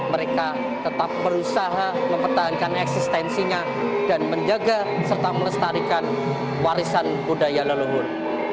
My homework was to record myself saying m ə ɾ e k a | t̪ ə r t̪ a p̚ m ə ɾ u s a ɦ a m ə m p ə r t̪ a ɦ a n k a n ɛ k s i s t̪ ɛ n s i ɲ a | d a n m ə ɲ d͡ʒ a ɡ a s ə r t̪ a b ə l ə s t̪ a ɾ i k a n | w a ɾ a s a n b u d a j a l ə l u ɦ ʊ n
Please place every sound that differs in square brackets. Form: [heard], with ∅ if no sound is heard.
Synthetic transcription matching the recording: m ə ɾ e k a | t̪ ə [∅] t̪ a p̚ m ə ɾ u s a ɦ a m ə m p ə r t̪ a ɦ a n k a n ɛ k s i s t̪ ɛ n s i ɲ a | d a n m ə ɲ d͡ʒ a ɡ a s ə r t̪ a [m] ə l ə s t̪ a ɾ i k a n | w a ɾ [i] s a n b u d a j a l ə l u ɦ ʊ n